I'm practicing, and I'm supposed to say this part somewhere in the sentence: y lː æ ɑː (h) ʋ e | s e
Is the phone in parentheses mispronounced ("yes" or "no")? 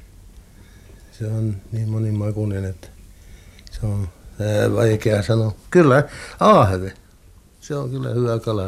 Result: no